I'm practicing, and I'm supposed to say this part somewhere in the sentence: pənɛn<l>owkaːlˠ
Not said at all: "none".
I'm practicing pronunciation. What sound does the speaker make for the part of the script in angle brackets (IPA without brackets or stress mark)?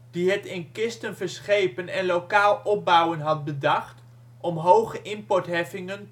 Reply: l